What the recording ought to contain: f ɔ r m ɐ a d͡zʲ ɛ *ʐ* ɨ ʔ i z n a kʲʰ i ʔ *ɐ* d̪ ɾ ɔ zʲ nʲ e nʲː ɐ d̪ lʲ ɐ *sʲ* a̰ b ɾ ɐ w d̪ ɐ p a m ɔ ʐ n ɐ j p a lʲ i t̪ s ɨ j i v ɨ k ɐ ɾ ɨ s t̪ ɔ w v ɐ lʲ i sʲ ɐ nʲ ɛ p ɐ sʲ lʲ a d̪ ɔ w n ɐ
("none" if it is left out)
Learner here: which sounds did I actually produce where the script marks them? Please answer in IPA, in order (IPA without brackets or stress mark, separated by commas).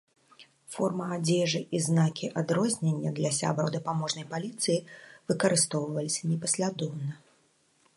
ʐ, a, sʲ